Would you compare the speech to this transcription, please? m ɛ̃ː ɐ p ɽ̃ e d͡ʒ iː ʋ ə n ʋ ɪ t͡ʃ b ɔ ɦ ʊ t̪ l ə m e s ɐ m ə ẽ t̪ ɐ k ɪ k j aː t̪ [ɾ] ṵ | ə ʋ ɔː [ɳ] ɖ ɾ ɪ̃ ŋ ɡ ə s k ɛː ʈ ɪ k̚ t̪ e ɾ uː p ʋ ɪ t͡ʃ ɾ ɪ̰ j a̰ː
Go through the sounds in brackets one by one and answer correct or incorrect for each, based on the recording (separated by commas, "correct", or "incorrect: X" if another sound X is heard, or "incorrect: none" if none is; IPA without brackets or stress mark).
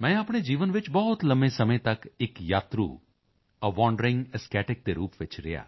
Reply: correct, correct